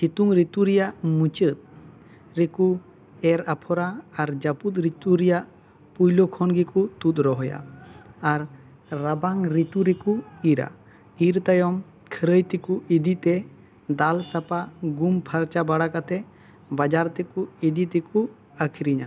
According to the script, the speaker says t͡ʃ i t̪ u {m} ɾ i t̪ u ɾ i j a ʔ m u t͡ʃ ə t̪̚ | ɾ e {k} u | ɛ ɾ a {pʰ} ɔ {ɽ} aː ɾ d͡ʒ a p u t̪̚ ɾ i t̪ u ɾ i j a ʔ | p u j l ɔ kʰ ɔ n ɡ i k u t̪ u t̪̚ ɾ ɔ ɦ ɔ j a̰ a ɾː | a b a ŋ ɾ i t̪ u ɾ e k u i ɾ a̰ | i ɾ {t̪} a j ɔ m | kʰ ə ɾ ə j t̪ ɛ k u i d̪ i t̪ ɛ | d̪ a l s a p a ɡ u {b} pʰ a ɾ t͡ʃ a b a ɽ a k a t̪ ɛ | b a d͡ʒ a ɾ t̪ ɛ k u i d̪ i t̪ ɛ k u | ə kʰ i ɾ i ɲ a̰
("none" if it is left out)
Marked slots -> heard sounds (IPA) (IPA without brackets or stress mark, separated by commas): ŋ, k, pʰ, ɾ, t̪, m